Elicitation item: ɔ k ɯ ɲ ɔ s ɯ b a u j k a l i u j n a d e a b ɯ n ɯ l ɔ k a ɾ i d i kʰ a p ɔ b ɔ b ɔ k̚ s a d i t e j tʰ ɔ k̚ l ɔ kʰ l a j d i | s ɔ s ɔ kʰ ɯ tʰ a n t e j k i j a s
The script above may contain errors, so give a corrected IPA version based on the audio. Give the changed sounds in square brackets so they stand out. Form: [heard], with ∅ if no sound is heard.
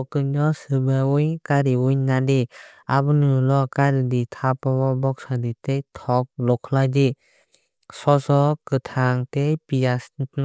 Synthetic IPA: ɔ k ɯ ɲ ɔ s ɯ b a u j k a [ɾ] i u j n a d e a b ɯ n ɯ l ɔ k a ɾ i d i [tʰ] a p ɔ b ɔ b ɔ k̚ s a d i t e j tʰ ɔ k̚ l ɔ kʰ l a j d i | s ɔ s ɔ [k] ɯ tʰ a [ŋ] t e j [p] i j a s